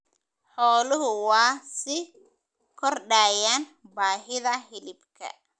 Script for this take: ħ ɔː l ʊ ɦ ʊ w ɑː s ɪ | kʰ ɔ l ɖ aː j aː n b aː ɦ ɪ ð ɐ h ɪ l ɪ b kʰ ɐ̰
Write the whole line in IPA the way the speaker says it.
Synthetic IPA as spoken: ħ ɔː l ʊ ɦ ʊ w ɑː s ɪ | kʰ ɔ r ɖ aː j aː n b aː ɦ ɪ ð ɐ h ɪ l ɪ b kʰ ɐ̰